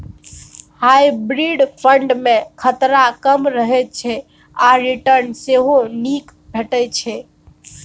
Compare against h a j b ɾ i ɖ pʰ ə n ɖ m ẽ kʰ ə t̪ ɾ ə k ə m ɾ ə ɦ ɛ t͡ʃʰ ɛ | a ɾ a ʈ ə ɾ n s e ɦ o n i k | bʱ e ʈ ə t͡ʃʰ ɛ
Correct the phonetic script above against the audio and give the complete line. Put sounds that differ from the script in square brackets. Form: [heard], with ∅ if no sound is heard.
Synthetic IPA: h a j b ɾ i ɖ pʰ ə [ɳ] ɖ m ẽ kʰ ə t̪ ɾ [a] k ə m ɾ ə ɦ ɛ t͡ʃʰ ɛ | a ɾ [i] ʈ ə ɾ n s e ɦ o n i k | bʱ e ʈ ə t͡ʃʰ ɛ